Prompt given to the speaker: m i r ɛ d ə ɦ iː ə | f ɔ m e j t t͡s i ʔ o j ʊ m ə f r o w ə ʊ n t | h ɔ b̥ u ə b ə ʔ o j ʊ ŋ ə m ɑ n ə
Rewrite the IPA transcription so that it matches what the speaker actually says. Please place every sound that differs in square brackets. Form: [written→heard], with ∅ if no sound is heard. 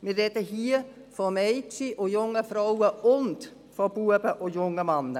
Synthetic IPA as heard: m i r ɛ d ə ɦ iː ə | f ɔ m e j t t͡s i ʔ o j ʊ [m→ŋ] ə f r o w ə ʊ n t | [h→f] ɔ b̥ u ə b ə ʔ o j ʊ ŋ ə m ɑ n ə